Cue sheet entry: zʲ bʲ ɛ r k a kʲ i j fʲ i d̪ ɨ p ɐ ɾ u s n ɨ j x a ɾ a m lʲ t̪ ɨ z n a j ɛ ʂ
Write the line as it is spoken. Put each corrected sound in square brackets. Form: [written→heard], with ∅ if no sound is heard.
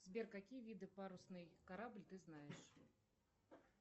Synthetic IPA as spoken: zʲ bʲ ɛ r k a kʲ i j [fʲ→vʲ] i d̪ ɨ p [ɐ→a] ɾ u s n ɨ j [x→k] a ɾ a [m→b] lʲ t̪ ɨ z n a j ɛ ʂ